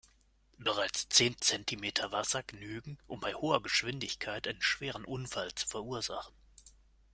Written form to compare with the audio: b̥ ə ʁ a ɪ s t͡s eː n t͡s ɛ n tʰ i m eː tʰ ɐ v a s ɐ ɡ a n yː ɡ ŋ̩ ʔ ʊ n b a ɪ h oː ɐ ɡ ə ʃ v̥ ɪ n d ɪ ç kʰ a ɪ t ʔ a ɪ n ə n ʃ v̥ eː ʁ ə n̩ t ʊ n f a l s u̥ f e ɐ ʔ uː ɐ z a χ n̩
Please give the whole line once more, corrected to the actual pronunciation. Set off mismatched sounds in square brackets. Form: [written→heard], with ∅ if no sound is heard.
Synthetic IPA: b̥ ə ʁ a ɪ [s→t͡s] t͡s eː n t͡s ɛ n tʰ i m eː tʰ ɐ v a s ɐ ɡ [a→ə] n yː ɡ ŋ̩ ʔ ʊ [n→m] b a ɪ h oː ɐ ɡ ə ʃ v̥ ɪ n d ɪ ç kʰ a ɪ t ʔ a ɪ n ə n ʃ v̥ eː ʁ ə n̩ [t→ʔ] ʊ n f a l [s→t͡s] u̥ f [e→ɛ] ɐ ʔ uː ɐ z a χ n̩